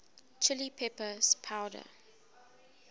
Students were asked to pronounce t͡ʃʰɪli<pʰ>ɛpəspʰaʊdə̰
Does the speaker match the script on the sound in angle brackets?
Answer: yes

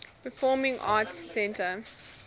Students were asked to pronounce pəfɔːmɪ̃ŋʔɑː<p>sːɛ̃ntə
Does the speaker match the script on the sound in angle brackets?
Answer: no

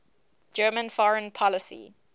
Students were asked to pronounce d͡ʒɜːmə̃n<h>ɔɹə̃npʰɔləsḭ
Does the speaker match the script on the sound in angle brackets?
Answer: no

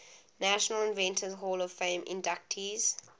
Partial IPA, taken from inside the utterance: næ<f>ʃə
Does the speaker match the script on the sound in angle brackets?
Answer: no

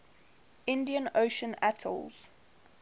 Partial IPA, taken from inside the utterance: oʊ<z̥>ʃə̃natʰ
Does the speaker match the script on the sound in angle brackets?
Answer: no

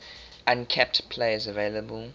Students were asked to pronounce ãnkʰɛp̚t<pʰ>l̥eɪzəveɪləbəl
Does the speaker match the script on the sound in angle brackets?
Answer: yes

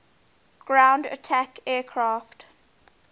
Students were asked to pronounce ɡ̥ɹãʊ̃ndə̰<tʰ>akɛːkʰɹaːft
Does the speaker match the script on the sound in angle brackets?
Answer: yes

